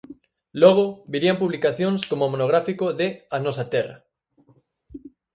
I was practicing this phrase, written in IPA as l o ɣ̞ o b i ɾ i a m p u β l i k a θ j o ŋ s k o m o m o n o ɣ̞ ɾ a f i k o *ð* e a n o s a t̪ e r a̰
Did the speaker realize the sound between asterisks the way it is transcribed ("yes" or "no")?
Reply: yes